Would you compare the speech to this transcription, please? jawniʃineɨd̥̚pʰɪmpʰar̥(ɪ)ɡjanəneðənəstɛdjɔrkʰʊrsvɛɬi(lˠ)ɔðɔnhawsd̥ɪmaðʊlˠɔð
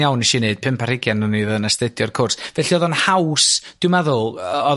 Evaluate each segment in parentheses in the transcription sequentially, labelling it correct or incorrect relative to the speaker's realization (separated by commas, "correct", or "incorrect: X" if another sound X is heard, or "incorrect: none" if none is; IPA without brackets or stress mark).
correct, incorrect: none